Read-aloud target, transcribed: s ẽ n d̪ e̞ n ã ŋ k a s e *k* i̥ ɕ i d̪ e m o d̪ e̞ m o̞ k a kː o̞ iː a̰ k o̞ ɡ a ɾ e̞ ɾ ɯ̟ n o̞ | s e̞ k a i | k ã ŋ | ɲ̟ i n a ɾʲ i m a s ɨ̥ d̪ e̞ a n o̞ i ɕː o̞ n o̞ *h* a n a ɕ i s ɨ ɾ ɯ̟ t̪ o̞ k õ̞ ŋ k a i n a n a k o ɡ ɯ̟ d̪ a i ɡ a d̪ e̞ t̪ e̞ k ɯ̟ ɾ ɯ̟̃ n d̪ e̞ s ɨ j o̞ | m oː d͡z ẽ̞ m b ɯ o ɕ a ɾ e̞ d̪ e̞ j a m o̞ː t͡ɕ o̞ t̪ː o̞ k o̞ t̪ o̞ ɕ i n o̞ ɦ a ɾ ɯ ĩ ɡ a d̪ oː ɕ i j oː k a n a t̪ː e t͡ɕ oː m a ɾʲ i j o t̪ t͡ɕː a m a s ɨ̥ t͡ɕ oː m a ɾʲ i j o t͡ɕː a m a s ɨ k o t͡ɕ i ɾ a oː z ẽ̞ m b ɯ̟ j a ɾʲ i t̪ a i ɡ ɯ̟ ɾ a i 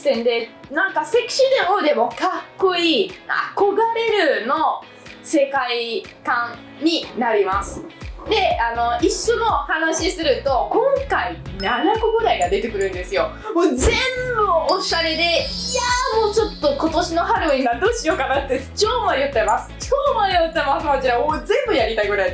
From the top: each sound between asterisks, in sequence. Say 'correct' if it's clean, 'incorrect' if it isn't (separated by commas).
correct, correct